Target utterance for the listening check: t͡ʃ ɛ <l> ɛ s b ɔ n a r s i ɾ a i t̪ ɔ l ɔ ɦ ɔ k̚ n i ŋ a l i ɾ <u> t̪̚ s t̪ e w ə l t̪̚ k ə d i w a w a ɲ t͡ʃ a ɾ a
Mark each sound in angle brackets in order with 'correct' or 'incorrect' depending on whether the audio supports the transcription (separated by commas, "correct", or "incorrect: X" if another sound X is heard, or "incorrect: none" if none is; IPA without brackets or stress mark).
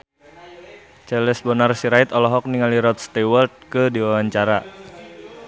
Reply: correct, incorrect: ɔ